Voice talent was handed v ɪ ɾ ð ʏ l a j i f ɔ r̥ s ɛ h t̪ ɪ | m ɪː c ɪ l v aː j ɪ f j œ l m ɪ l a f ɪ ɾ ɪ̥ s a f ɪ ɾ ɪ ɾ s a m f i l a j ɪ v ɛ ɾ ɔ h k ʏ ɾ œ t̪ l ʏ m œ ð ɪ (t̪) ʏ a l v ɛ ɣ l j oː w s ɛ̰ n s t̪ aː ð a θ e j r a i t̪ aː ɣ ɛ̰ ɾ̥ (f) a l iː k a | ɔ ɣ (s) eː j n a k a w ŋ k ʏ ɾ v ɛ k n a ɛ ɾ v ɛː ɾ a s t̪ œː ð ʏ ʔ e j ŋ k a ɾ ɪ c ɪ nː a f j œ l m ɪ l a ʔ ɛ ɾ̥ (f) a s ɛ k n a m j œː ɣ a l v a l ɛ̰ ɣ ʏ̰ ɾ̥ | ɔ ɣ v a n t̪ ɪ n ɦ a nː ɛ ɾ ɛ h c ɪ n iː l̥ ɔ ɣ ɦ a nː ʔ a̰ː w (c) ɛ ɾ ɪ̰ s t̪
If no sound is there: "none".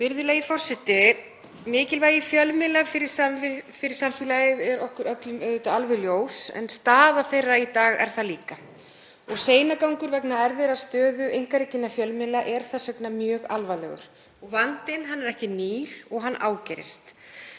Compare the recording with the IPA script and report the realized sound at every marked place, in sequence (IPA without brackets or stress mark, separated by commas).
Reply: t̪, θ, s, θ, c